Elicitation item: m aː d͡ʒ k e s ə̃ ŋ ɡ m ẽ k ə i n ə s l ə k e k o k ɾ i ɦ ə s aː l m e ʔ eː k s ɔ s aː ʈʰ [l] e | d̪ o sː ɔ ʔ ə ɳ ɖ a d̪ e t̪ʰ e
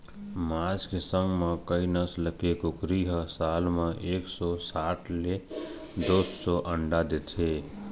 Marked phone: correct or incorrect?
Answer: correct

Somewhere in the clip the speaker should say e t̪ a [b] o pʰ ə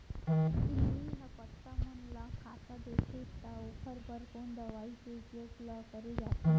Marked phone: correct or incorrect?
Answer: incorrect: none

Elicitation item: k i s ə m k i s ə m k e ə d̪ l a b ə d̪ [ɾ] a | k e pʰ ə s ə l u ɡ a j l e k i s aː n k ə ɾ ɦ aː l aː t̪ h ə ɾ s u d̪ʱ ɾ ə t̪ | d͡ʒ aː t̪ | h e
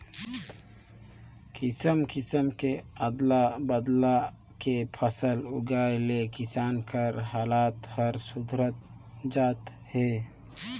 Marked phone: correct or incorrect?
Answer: incorrect: l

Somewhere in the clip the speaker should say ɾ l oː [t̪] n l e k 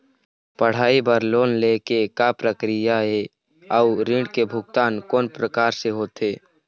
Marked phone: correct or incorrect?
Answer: incorrect: none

